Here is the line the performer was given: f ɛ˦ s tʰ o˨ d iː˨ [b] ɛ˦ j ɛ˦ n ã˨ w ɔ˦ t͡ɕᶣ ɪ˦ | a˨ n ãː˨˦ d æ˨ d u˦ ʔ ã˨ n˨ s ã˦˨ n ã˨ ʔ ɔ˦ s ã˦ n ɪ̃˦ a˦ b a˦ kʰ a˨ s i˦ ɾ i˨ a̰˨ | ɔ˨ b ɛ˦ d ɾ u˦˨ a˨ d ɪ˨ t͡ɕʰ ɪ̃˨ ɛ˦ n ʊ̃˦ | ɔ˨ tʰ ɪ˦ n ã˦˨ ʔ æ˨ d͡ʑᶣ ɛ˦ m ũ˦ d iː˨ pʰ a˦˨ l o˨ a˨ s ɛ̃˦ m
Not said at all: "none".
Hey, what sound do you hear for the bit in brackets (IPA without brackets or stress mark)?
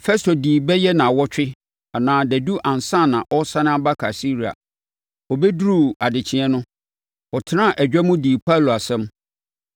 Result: b